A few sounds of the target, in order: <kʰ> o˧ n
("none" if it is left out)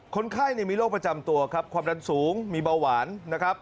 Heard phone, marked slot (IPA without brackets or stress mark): kʰ